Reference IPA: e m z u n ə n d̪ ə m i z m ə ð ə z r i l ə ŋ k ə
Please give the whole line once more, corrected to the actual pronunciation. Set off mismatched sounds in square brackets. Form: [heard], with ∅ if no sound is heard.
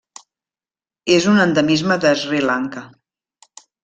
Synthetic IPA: e [∅] z u n ə n d̪ ə m i z m ə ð ə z r i l [a] ŋ k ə